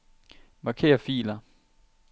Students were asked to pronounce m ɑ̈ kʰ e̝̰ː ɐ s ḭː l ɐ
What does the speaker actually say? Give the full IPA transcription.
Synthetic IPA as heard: m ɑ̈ kʰ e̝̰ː ɐ f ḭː l ɐ